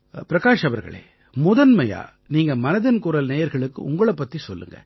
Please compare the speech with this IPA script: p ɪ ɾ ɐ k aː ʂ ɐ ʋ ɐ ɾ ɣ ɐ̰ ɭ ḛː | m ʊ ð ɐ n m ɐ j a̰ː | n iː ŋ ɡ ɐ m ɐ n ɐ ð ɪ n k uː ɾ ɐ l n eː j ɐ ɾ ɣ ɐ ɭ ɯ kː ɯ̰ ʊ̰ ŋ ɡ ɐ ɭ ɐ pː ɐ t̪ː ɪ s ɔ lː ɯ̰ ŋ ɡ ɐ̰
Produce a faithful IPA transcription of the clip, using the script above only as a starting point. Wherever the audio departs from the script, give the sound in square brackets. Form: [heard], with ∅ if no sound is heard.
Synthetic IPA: p ɪ ɾ ɐ k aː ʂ ɐ ʋ ɐ ɾ ɣ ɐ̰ ɭ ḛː | m ʊ ð ɐ n m ɐ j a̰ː | n iː ŋ ɡ ɐ m ɐ n ɐ ð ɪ n k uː ɾ ɐ l n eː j ɐ ɾ ɣ ɐ ɭ ɯ kː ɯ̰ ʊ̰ ŋ ɡ ɐ ɭ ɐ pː ɐ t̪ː [i] s ɔ lː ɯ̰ ŋ ɡ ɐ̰